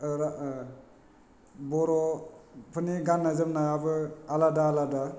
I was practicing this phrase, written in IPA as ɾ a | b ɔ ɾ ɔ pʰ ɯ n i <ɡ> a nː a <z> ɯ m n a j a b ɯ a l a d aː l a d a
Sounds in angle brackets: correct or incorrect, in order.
correct, correct

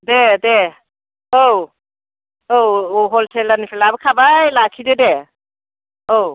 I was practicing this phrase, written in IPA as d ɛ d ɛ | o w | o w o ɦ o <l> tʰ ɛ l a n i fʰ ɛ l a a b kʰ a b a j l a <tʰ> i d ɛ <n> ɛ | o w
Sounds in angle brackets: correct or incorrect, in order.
correct, incorrect: kʰ, incorrect: d

